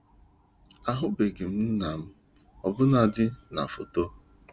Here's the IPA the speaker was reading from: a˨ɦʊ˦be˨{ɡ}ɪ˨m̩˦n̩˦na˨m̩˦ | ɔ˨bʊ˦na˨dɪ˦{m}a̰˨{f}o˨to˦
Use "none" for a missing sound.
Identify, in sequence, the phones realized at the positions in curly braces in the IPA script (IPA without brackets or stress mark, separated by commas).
ɡ, n, f